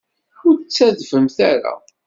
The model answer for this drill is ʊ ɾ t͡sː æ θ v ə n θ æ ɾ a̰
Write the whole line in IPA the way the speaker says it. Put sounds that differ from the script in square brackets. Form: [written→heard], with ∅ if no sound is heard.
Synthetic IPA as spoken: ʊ ɾ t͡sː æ [θ→ð] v ə [n→m] θ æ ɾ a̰